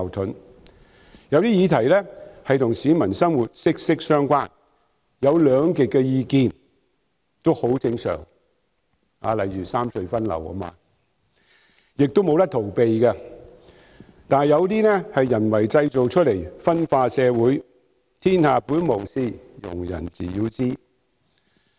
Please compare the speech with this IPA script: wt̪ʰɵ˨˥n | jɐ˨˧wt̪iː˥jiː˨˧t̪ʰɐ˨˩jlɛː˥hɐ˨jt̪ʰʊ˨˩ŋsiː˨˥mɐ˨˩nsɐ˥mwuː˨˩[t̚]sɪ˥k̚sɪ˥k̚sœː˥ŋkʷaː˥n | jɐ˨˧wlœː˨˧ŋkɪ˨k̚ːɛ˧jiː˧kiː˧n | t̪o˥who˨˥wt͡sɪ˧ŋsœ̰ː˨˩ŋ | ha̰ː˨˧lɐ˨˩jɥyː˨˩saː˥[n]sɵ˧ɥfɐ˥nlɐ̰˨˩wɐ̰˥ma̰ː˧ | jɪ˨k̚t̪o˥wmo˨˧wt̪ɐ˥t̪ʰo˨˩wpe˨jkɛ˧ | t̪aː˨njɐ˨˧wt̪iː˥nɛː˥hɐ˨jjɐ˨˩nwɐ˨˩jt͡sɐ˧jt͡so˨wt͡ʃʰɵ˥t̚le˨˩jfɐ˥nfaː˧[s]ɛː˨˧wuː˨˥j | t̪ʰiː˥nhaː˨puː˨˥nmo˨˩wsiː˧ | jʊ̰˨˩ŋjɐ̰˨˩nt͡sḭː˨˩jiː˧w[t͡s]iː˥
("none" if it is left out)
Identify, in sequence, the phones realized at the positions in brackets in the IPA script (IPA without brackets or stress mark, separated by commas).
t̚, m, s, t͡s